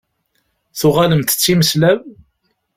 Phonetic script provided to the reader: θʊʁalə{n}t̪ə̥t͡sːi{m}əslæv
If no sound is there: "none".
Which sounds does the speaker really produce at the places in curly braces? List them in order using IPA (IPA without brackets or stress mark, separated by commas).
m, m